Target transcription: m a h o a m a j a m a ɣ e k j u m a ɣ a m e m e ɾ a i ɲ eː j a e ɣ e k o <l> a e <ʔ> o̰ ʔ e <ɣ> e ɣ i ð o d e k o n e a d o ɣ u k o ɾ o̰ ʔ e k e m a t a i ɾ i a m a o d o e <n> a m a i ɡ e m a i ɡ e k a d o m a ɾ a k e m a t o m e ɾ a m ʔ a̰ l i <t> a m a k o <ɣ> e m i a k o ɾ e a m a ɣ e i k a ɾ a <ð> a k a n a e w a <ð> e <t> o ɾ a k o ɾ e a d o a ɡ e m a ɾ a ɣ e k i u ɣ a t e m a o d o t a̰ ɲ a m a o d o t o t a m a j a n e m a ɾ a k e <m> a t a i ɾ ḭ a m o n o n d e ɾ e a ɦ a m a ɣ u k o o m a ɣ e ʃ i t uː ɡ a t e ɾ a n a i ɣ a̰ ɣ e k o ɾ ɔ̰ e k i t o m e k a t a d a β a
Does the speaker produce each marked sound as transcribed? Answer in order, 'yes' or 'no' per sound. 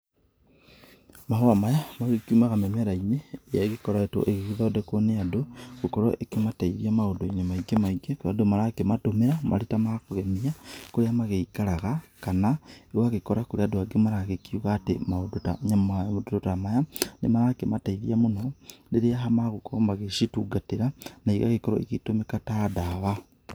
no, no, yes, no, yes, yes, no, no, no, yes

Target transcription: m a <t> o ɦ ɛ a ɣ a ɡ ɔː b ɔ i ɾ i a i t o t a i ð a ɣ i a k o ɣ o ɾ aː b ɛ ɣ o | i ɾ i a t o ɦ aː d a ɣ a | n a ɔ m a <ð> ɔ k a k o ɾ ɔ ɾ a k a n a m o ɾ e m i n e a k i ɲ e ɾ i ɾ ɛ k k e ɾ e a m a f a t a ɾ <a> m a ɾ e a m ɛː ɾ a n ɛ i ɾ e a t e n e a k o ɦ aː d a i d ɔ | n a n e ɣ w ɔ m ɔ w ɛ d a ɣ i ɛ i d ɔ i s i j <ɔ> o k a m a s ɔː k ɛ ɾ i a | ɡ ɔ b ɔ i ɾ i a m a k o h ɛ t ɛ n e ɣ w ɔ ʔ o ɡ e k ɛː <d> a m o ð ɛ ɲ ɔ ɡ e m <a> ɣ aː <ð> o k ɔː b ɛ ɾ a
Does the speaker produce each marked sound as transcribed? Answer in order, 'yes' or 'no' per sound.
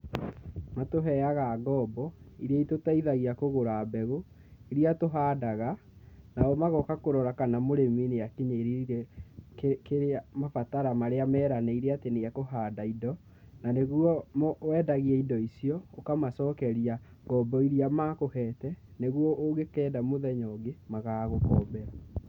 yes, no, yes, yes, yes, yes, no

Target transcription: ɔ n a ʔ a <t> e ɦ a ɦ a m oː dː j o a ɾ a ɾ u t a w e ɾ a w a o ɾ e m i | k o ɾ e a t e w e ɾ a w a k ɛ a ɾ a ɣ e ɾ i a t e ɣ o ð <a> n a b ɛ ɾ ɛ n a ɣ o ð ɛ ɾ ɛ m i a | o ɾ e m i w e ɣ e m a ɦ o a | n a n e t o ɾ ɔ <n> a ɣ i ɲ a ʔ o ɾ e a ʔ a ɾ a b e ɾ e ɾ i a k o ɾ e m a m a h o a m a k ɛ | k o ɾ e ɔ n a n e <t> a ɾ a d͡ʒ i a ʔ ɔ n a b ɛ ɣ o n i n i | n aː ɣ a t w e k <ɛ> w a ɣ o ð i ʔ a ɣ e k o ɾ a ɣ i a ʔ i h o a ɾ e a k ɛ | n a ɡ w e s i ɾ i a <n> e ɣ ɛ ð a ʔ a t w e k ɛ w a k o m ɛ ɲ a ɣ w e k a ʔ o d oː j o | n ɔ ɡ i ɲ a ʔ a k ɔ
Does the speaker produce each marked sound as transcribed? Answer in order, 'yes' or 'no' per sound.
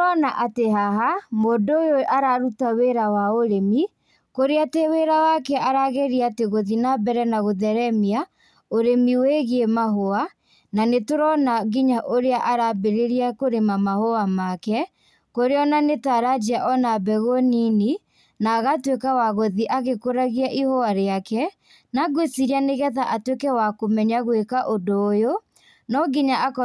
yes, no, yes, yes, no, yes

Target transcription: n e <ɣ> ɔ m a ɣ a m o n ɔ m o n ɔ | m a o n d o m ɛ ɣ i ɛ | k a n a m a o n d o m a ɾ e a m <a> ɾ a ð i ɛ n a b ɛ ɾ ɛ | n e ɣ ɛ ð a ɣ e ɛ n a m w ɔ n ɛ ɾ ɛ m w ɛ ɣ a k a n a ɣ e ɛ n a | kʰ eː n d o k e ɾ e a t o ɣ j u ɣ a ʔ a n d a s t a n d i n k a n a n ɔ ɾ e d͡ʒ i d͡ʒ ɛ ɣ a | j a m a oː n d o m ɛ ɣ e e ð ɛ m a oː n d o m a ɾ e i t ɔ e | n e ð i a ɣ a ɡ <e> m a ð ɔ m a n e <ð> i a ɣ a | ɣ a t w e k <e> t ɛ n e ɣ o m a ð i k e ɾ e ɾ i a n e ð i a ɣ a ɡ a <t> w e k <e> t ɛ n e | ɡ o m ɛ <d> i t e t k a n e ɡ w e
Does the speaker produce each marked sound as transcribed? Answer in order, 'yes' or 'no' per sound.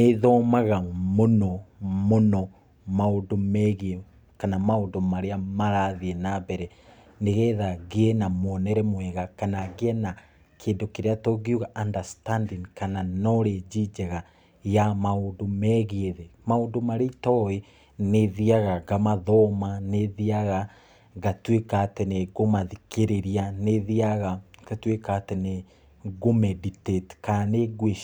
no, yes, no, yes, no, yes, no, yes

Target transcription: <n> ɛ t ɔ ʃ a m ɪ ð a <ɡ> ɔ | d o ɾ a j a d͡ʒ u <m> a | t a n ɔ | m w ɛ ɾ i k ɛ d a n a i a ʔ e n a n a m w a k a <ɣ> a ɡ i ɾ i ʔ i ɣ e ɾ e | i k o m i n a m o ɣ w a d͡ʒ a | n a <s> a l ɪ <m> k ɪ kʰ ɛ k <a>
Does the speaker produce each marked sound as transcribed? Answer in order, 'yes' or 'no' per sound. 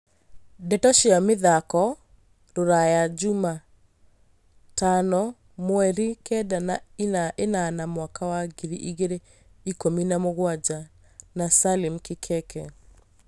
no, no, yes, no, yes, yes, no

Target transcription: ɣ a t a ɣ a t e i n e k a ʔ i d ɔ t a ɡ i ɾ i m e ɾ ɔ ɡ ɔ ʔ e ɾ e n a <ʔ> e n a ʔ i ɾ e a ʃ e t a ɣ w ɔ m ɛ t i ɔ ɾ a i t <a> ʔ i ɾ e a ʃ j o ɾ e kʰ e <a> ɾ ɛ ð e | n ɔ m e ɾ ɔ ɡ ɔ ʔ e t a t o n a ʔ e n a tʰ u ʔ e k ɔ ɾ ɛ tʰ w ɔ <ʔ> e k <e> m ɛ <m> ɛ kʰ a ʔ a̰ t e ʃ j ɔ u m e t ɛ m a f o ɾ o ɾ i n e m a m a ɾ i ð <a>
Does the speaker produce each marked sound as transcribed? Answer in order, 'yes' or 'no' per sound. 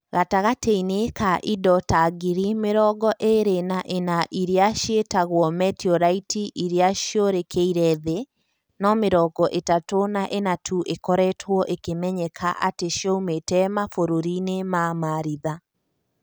yes, no, no, yes, yes, no, yes

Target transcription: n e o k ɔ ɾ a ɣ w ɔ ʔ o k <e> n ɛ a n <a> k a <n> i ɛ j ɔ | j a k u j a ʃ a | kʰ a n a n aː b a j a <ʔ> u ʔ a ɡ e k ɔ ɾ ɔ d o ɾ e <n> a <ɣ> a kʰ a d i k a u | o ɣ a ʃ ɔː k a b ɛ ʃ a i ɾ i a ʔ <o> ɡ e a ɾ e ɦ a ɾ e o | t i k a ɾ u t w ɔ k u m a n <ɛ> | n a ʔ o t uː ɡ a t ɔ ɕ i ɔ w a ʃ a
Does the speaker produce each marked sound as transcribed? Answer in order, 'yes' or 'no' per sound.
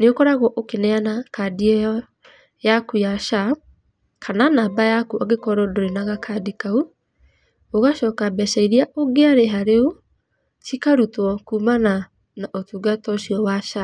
yes, yes, no, no, yes, yes, yes, no

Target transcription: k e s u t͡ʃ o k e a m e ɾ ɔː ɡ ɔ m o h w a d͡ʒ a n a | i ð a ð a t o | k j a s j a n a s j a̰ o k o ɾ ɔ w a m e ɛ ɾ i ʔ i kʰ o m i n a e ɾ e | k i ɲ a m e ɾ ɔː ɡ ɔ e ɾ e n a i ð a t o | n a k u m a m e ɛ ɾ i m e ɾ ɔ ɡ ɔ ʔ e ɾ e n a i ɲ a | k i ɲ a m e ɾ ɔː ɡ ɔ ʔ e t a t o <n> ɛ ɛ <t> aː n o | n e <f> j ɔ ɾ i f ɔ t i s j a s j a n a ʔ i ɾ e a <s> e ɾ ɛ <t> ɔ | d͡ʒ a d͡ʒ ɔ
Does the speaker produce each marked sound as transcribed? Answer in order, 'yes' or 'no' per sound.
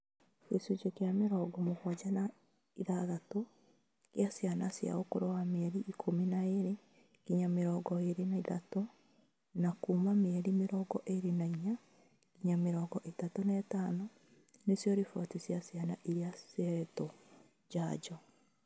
yes, yes, no, yes, yes

